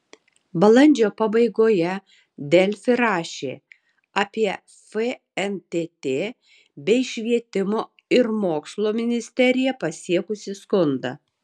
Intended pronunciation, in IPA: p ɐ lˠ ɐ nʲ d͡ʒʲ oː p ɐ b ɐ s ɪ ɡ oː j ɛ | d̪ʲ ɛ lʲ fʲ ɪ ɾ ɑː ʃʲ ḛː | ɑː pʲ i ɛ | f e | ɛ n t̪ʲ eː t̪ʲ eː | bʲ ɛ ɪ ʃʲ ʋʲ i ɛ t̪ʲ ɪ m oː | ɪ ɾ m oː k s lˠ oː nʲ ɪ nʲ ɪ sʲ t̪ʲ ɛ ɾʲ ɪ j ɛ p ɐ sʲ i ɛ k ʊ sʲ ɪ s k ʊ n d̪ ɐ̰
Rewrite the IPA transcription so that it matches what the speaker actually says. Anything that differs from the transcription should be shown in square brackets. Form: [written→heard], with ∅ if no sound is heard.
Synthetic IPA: [p→b] ɐ lˠ ɐ nʲ d͡ʒʲ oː p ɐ b ɐ [s→∅] ɪ ɡ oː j ɛ | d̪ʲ ɛ lʲ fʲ ɪ ɾ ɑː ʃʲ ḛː | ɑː pʲ i ɛ | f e | ɛ n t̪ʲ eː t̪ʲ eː | bʲ ɛ ɪ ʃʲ ʋʲ i ɛ t̪ʲ ɪ m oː | ɪ ɾ m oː k s lˠ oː [nʲ→mʲ] ɪ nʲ ɪ sʲ t̪ʲ ɛ ɾʲ ɪ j ɛ p ɐ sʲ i ɛ k ʊ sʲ ɪ s k ʊ n d̪ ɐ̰